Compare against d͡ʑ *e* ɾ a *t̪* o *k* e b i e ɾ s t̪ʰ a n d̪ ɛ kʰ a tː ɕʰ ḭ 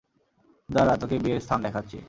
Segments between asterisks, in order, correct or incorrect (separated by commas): incorrect, correct, correct